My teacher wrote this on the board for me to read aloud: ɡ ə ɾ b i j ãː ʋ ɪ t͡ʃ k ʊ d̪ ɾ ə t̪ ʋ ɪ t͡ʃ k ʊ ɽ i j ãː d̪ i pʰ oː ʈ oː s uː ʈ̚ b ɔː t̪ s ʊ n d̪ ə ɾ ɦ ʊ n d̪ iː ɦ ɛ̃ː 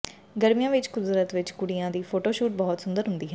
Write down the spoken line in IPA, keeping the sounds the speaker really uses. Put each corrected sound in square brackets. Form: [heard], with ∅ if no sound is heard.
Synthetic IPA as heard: ɡ ə ɾ [m] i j ãː ʋ ɪ t͡ʃ k ʊ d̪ ɾ ə t̪ ʋ ɪ t͡ʃ k ʊ ɽ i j ãː d̪ [iː] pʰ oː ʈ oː [ʃ] uː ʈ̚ b ɔː t̪ s ʊ n d̪ ə ɾ ɦ ʊ n d̪ iː ɦ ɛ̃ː

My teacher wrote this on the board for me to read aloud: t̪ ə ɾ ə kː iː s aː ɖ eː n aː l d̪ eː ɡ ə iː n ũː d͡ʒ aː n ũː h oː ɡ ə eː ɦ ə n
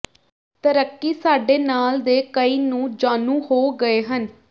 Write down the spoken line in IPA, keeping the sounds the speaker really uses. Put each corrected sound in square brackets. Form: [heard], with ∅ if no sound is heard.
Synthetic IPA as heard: t̪ ə ɾ ə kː iː s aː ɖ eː n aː l d̪ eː [k] ə iː n ũː d͡ʒ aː n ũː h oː ɡ ə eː ɦ ə n

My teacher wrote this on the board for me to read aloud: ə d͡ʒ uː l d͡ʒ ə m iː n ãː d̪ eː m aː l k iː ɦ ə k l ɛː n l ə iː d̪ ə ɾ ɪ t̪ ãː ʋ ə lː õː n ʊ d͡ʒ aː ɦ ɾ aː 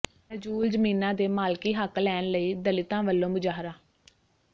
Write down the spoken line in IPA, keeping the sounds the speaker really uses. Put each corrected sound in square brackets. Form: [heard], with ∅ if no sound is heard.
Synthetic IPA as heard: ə d͡ʒ uː l d͡ʒ ə m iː n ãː d̪ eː m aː l k iː ɦ ə k l ɛː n l ə iː d̪ ə [l] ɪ t̪ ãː ʋ ə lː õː [m] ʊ d͡ʒ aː ɦ ɾ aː

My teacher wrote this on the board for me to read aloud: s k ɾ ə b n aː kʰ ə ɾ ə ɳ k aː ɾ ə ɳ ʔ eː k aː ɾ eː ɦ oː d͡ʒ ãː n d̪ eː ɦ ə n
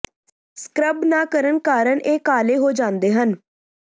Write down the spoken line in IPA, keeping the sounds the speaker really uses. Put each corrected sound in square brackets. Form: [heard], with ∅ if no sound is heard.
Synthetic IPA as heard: s k ɾ ə b n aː [k] ə ɾ ə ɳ k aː ɾ ə ɳ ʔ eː k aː [l] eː ɦ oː d͡ʒ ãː n d̪ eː ɦ ə n

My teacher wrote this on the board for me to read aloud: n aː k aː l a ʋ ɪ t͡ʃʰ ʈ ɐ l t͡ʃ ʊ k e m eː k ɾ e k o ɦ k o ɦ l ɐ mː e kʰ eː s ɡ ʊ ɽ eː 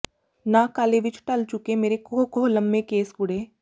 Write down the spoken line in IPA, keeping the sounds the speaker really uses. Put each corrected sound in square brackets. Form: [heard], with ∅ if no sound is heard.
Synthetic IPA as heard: n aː k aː l [e] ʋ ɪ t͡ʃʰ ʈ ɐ l t͡ʃ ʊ k e m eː [∅] ɾ e k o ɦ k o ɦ l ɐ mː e [k] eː s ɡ ʊ ɽ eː

